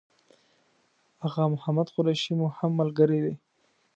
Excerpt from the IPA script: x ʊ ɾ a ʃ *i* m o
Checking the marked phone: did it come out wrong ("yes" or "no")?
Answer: no